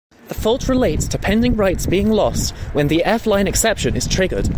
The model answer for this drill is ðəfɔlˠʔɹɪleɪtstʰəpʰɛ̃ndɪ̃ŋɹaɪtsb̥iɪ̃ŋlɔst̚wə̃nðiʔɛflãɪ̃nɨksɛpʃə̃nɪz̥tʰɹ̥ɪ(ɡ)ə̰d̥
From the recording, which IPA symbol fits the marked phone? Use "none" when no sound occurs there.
ɡ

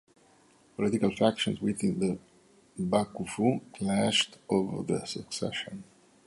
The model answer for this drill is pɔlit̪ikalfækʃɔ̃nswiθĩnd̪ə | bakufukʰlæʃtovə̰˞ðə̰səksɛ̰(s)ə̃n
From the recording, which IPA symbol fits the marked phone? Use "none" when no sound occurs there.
ʃ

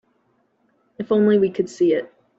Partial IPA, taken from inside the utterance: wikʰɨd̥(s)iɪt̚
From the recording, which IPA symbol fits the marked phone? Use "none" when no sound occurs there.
s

